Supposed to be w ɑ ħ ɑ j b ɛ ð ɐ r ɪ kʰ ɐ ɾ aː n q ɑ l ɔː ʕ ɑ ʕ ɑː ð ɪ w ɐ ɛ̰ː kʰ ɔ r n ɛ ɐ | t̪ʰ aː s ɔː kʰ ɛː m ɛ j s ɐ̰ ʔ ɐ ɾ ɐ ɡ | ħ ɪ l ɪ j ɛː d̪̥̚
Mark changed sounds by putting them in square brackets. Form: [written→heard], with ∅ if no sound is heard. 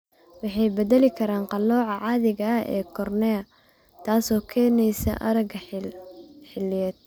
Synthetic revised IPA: w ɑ ħ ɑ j b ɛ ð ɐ [r→l] ɪ kʰ ɐ ɾ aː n q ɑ l ɔː ʕ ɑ ʕ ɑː ð ɪ [w→ɣ] ɐ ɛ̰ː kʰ ɔ r n ɛ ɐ | t̪ʰ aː s ɔː kʰ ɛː [m→n] ɛ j s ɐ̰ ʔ ɐ ɾ ɐ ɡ | ħ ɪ l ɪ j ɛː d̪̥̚

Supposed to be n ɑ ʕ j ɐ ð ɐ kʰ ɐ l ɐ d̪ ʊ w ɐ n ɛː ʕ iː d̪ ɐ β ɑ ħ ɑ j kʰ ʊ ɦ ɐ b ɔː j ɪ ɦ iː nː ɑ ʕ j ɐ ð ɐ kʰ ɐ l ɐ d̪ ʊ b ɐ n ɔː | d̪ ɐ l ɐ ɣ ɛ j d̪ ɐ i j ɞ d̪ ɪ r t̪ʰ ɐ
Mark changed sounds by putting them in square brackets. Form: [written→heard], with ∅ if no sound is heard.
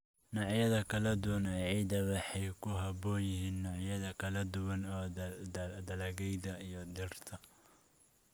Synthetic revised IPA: n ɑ ʕ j ɐ ð ɐ kʰ ɐ l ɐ d̪ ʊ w ɐ n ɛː ʕ iː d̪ ɐ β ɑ ħ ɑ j kʰ ʊ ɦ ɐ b ɔː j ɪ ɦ iː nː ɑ ʕ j ɐ ð ɐ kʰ ɐ l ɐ d̪ ʊ [b→w] ɐ n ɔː | d̪ ɐ l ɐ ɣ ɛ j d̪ ɐ i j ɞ d̪ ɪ r t̪ʰ ɐ

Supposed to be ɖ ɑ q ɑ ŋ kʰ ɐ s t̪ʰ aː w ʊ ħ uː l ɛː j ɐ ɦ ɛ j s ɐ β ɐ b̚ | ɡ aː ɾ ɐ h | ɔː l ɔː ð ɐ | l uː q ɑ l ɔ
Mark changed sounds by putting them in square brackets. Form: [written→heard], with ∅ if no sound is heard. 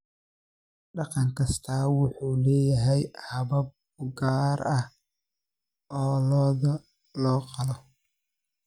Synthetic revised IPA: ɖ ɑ q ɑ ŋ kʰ ɐ s t̪ʰ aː w ʊ ħ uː l ɛː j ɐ ɦ ɛ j [s→h] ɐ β ɐ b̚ | ɡ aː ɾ ɐ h | ɔː l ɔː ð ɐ | l [uː→ɔː] q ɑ l ɔ

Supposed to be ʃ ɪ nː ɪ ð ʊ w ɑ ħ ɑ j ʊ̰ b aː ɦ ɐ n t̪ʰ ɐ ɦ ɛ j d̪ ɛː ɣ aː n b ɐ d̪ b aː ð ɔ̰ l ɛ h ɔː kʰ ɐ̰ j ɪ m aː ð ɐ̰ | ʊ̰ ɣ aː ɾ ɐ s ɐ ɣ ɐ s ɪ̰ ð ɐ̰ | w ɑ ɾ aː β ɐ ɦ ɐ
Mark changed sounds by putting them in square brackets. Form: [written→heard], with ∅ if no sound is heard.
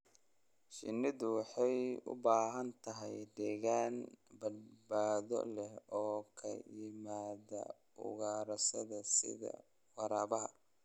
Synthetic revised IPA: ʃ ɪ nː ɪ ð ʊ w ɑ ħ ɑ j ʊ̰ b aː ɦ ɐ n t̪ʰ ɐ ɦ ɛ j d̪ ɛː ɣ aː n b ɐ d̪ b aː ð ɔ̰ l ɛ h ɔː kʰ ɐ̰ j ɪ m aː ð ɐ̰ | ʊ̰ ɣ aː ɾ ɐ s ɐ [ɣ→ð] ɐ s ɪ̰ ð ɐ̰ | w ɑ ɾ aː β ɐ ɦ ɐ

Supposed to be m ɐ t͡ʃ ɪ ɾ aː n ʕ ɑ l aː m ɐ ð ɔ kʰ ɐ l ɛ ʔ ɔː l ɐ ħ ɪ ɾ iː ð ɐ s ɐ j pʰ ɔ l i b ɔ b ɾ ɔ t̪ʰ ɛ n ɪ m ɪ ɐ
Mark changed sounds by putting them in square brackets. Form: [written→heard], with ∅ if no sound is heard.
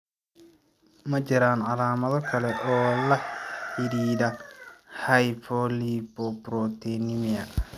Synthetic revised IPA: m ɐ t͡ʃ ɪ ɾ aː n ʕ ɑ l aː m ɐ ð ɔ kʰ ɐ l ɛ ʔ ɔː l ɐ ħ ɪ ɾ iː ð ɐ [s→h] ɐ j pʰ ɔ l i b ɔ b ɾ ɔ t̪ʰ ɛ n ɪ m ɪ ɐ

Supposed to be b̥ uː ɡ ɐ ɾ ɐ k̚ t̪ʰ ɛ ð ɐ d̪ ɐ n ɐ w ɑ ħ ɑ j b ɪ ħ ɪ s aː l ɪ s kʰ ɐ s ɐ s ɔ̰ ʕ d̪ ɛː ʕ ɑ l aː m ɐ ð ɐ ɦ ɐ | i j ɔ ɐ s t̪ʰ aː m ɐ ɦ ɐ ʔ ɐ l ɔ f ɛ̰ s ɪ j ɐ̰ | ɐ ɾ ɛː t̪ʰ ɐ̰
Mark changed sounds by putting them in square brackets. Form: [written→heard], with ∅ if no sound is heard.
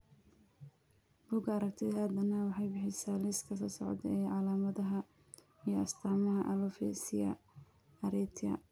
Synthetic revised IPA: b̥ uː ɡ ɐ ɾ ɐ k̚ t̪ʰ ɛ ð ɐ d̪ ɐ n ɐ w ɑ ħ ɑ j b ɪ ħ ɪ s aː l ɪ s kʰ ɐ s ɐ s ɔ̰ ʕ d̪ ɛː ʕ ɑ l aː m ɐ ð ɐ ɦ ɐ | i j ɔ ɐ s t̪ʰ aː m ɐ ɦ ɐ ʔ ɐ l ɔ f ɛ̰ s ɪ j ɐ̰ | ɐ ɾ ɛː t̪ʰ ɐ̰

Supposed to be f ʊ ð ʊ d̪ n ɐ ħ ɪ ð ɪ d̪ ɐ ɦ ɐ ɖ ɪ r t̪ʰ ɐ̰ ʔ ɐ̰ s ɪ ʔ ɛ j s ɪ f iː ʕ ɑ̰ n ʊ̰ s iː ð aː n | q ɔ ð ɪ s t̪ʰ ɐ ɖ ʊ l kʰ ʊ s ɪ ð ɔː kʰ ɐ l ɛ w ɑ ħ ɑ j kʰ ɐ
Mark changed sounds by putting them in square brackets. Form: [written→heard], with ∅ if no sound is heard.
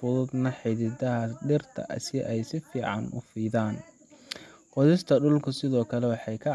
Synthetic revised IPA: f ʊ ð ʊ d̪ n ɐ ħ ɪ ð ɪ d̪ ɐ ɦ ɐ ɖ ɪ r t̪ʰ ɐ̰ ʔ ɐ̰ s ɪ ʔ ɛ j s ɪ f iː ʕ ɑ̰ n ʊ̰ [s→f] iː ð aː n | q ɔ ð ɪ s t̪ʰ ɐ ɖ ʊ l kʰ ʊ s ɪ ð ɔː kʰ ɐ l ɛ w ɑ ħ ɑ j kʰ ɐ

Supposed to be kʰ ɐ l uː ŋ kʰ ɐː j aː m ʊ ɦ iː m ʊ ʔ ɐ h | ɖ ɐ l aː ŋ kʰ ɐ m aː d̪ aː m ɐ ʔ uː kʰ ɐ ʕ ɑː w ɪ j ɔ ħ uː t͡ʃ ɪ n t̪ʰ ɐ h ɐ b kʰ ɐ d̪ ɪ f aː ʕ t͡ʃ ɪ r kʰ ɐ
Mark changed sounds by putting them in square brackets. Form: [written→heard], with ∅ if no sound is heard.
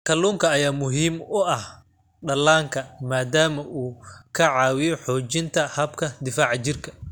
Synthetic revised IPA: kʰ ɐ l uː ŋ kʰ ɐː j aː m ʊ ɦ iː m ʊ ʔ ɐ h | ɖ ɐ l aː ŋ kʰ ɐ m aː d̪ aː m ɐ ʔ uː kʰ ɐ ʕ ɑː w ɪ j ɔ ħ [uː→ɔː] t͡ʃ ɪ n t̪ʰ ɐ h ɐ b kʰ ɐ d̪ ɪ f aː ʕ t͡ʃ ɪ r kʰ ɐ

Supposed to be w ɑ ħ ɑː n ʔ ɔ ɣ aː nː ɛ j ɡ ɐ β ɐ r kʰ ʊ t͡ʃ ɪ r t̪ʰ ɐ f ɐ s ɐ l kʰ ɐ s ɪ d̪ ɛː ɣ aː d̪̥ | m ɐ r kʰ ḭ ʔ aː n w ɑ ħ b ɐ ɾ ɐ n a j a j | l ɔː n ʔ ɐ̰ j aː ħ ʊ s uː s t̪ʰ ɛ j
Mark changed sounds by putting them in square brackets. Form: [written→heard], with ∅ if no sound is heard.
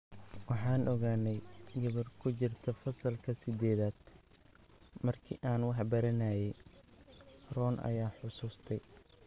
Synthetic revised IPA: w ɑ ħ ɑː n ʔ ɔ ɣ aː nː ɛ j ɡ ɐ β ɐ r kʰ ʊ t͡ʃ ɪ r t̪ʰ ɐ f ɐ s ɐ l kʰ ɐ s ɪ d̪ ɛː [ɣ→ð] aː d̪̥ | m ɐ r kʰ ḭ ʔ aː n w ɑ ħ b ɐ ɾ ɐ n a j [a→ɛ] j | [l→r] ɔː n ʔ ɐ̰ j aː ħ ʊ s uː s t̪ʰ ɛ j

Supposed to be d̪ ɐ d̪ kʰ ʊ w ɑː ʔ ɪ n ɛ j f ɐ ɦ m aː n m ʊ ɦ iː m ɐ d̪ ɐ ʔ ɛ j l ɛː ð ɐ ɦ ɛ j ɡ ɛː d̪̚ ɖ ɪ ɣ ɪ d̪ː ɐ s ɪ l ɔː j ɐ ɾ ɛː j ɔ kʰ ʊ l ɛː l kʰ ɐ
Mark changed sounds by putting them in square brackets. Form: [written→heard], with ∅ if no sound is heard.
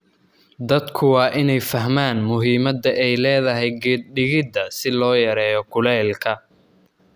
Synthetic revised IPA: d̪ ɐ d̪ kʰ ʊ w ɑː ʔ ɪ n ɛ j f ɐ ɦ m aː n m ʊ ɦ iː m ɐ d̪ ɐ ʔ ɛ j l ɛː ð ɐ ɦ ɛ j ɡ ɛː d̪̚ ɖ ɪ ɣ ɪ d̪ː ɐ s ɪ l ɔː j ɐ ɾ ɛː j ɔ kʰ ʊ l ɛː l kʰ ɐ

